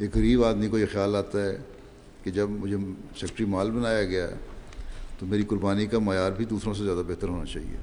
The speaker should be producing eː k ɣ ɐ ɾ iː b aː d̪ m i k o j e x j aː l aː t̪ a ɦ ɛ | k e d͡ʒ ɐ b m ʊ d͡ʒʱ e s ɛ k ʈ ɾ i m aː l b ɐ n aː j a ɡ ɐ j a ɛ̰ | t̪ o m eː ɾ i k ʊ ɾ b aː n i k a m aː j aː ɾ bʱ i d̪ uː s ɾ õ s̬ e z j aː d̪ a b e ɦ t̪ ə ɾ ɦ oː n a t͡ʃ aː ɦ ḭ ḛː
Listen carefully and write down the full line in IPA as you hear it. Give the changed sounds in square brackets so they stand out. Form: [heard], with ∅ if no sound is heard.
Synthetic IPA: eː k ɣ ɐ ɾ iː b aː d̪ m i k o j e x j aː l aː t̪ a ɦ ɛ | k e d͡ʒ ɐ b m ʊ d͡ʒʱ e s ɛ k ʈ ɾ i m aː l b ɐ n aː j a ɡ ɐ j a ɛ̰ | t̪ o m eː ɾ i k ʊ ɾ b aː n i k a m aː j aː ɾ bʱ i d̪ uː s ɾ õ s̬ e z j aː d̪ a b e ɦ t̪ ə ɾ ɦ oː n a t͡ʃ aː ɦ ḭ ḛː